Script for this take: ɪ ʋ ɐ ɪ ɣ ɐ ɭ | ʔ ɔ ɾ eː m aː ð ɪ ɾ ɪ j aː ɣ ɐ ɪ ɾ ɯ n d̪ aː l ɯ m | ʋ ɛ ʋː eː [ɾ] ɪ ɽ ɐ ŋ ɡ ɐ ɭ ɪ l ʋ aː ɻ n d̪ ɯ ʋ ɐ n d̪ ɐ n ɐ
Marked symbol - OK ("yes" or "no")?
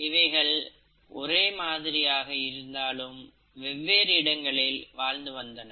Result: yes